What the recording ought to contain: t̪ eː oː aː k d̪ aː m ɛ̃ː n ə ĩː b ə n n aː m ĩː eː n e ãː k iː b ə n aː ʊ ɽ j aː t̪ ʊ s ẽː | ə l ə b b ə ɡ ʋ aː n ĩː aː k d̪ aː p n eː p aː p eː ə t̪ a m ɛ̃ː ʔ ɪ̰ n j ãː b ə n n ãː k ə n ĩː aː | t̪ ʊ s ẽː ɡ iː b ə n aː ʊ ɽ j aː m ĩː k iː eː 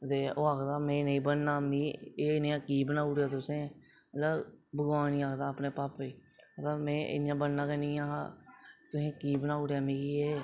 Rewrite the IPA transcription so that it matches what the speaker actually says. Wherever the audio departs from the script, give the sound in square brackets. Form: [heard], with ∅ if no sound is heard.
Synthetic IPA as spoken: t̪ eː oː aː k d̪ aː m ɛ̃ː n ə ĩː b ə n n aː m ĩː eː n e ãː k iː b ə n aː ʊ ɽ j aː t̪ ʊ s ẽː | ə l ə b b ə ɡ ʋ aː n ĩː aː k d̪ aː p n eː p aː p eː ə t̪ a m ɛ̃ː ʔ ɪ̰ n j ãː b ə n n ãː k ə n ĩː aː | t̪ ʊ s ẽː [k] iː b ə n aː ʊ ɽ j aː m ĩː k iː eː